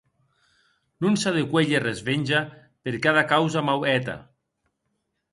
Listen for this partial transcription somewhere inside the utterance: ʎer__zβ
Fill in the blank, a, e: e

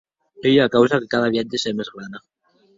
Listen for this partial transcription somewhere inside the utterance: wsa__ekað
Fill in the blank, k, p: k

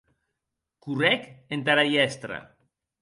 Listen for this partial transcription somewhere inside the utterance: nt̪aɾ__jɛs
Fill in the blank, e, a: a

